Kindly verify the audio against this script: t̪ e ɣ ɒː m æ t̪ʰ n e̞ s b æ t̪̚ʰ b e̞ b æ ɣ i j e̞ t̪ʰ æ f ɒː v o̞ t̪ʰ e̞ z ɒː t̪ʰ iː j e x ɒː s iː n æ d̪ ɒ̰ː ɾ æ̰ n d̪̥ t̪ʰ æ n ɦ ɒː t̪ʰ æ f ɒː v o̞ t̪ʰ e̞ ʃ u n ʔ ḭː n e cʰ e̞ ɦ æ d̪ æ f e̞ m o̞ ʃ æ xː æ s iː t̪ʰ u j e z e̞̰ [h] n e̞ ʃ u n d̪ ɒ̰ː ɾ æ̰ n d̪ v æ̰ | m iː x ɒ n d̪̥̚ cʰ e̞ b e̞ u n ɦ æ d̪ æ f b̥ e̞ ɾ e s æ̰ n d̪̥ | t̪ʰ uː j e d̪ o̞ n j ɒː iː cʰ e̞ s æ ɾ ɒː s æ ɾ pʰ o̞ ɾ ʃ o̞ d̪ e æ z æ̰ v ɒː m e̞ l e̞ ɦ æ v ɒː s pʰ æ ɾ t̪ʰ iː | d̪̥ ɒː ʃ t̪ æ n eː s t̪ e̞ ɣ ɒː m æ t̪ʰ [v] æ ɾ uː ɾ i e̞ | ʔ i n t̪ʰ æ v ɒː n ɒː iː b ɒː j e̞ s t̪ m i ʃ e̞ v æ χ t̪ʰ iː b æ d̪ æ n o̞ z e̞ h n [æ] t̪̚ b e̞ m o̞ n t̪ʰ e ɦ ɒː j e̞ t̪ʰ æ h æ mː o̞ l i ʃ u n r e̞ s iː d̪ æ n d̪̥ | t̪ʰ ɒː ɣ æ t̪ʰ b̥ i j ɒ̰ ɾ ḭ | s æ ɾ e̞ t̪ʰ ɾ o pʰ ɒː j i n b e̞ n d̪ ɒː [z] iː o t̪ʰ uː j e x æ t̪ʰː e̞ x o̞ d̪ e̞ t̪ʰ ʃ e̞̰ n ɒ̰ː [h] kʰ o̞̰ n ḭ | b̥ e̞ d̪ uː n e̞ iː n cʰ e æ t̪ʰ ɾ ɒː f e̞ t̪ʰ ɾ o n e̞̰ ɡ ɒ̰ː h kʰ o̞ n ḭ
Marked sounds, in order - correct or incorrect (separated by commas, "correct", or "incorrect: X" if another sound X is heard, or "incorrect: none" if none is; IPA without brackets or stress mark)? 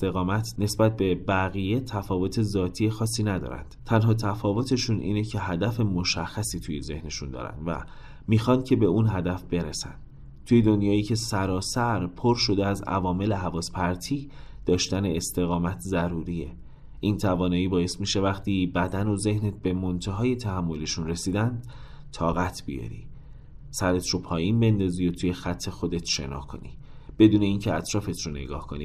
correct, incorrect: z, incorrect: e, correct, correct